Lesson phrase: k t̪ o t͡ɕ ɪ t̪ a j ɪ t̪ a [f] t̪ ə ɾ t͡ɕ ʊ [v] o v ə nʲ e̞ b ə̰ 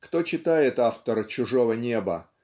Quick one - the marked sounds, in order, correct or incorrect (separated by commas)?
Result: correct, incorrect